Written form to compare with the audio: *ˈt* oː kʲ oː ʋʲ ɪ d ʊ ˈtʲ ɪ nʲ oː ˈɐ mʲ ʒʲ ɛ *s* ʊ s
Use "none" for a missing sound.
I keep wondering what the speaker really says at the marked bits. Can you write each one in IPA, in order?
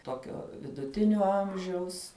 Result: t, none

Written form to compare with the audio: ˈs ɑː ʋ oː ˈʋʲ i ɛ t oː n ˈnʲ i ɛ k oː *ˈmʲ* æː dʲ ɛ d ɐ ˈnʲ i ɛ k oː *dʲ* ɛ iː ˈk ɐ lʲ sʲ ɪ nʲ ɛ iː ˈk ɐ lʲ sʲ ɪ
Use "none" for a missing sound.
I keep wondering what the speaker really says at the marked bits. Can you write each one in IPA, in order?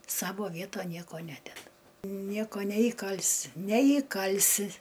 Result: nʲ, nʲ

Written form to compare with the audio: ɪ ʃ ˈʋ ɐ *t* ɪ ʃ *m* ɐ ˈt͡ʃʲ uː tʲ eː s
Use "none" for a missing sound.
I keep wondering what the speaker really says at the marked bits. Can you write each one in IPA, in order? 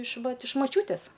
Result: t, m

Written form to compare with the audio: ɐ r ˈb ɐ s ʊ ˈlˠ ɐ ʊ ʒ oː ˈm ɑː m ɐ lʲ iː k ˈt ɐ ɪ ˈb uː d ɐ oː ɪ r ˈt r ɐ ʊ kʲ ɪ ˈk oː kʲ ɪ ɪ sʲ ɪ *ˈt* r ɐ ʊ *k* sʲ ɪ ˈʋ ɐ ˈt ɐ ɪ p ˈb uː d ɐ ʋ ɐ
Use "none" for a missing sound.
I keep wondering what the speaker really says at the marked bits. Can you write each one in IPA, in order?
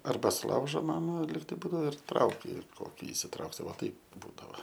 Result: t, k

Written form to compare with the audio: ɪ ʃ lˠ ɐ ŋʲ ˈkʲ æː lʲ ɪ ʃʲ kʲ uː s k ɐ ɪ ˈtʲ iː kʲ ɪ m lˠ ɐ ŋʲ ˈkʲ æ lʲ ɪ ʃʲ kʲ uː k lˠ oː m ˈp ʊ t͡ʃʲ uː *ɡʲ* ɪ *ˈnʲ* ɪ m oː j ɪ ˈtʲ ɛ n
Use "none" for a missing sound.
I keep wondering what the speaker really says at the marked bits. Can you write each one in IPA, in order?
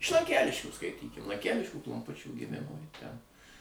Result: ɡʲ, mʲ

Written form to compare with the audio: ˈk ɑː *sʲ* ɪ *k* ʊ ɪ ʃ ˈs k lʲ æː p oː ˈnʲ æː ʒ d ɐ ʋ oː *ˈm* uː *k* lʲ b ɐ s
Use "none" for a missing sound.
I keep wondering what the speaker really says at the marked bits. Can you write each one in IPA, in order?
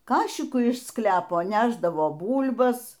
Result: ʃʲ, k, b, none

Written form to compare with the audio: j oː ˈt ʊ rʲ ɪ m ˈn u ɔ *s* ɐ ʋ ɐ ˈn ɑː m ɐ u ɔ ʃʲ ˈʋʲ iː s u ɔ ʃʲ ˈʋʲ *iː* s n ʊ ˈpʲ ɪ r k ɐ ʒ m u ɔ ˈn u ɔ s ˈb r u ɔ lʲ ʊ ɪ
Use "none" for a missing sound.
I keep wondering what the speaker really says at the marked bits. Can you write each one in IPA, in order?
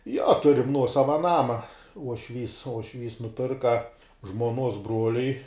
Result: s, iː

